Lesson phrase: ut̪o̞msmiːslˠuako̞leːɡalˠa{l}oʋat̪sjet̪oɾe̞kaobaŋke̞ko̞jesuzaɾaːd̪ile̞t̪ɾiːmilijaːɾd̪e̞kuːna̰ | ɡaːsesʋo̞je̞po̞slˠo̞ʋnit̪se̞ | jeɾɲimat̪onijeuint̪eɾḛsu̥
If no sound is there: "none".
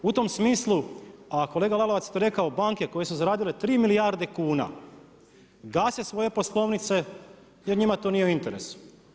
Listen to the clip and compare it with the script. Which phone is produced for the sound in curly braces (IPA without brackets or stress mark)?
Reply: l